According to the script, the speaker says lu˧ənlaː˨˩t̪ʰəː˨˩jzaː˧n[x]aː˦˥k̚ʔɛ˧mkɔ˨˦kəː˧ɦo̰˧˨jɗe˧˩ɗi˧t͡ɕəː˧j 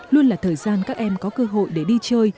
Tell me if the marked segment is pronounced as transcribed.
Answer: no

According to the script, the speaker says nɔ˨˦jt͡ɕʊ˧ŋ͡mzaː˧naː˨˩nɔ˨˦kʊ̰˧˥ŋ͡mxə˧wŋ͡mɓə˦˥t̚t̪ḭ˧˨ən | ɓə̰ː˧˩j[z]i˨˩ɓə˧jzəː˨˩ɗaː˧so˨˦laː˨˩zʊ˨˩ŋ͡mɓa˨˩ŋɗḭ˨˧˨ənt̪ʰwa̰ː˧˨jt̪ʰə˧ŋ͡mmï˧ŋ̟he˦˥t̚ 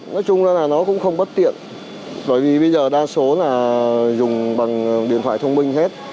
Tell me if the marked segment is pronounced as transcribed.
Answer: no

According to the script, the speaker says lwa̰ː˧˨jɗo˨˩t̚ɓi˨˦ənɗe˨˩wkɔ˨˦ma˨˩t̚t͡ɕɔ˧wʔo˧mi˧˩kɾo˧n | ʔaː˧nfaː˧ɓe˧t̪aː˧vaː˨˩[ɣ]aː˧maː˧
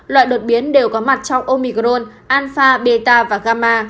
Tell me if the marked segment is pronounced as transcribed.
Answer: yes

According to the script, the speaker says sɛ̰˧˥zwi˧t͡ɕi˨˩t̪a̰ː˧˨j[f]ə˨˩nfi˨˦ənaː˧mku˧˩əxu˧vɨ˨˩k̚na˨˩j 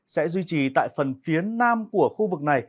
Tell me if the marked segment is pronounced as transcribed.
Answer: yes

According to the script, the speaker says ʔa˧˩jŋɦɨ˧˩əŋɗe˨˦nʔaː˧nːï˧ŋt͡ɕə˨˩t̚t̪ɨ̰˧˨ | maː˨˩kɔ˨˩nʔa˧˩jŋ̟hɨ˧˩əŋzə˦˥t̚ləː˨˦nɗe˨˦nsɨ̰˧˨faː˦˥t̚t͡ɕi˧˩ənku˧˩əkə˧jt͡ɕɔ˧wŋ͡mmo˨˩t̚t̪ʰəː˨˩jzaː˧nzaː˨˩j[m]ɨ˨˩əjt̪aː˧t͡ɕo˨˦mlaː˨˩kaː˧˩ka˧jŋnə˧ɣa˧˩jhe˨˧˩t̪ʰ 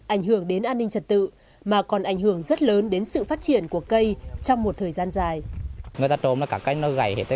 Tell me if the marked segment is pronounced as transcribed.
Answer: no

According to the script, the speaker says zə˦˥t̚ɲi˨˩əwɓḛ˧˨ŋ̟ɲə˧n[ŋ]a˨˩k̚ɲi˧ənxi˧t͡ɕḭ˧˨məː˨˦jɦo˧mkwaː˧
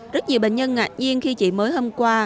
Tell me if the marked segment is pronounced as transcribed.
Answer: yes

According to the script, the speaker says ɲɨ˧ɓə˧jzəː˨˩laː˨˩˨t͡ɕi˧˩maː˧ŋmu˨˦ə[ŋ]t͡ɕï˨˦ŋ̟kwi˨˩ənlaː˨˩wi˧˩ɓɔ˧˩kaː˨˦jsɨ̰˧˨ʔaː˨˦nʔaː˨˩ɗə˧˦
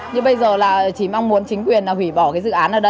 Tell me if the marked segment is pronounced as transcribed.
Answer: no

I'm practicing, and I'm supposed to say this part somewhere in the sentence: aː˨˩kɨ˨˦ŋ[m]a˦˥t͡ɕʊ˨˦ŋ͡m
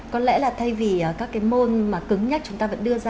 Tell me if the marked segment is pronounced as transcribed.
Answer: no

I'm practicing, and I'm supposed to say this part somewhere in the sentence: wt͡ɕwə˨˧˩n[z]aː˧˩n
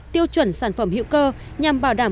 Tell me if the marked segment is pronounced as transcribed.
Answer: no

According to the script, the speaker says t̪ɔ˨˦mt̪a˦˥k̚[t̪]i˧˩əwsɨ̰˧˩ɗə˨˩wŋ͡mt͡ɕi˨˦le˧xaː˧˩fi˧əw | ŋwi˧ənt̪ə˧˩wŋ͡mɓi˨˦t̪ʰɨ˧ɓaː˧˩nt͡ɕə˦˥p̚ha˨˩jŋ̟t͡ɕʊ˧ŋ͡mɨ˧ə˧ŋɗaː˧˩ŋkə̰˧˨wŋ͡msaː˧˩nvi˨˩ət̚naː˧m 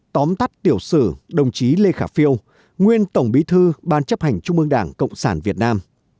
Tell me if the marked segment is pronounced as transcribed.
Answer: yes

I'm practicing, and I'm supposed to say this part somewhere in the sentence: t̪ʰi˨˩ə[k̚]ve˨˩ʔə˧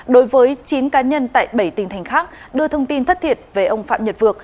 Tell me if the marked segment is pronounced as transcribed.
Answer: no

